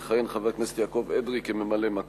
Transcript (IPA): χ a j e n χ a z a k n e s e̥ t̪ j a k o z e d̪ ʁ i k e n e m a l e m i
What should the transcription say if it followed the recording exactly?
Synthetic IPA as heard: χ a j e n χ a v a k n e s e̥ t̪ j a k o v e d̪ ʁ i k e m e m a l e m a